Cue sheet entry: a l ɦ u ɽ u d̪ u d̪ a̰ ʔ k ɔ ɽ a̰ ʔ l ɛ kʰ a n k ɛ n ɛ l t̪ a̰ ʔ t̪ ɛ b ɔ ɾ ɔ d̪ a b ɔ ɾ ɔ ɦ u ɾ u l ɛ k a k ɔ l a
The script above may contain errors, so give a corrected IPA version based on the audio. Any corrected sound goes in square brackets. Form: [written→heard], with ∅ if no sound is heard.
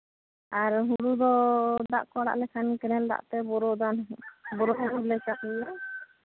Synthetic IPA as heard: a [l→ɾ] ɦ u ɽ u d̪ [u→ɔ] d̪ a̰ ʔ k ɔ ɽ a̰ ʔ l ɛ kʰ a n k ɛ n ɛ l [t̪→d̪] a̰ ʔ t̪ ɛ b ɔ ɾ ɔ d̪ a b ɔ ɾ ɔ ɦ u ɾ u l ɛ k a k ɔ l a